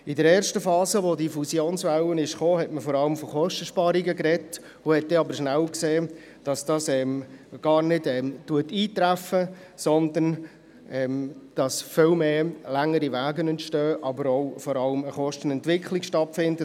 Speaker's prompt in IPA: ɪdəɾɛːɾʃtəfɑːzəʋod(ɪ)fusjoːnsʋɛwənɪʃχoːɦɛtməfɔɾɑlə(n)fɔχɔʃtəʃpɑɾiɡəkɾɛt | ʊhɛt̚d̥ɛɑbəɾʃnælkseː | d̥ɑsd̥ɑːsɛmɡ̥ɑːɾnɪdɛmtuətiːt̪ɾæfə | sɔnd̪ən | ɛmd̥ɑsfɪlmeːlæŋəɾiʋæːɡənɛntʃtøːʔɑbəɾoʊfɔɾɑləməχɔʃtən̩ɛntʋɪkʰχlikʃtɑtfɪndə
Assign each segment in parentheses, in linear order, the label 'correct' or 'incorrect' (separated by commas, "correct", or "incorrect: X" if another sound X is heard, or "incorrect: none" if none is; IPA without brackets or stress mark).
incorrect: i, incorrect: m